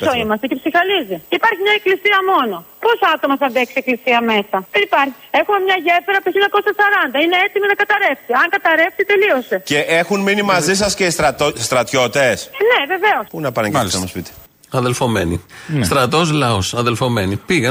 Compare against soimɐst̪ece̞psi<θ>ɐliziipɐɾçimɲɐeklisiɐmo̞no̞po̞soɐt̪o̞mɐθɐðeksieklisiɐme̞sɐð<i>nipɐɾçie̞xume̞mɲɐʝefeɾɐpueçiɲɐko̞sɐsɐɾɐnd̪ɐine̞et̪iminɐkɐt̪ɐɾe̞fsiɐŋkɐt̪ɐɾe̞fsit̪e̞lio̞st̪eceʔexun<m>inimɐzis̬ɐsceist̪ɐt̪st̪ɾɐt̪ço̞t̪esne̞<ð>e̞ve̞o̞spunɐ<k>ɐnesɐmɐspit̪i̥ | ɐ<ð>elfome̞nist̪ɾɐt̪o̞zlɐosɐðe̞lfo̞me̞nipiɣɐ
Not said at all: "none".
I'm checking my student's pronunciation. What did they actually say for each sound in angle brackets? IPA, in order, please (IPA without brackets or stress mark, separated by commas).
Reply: x, e, m, v, p, ð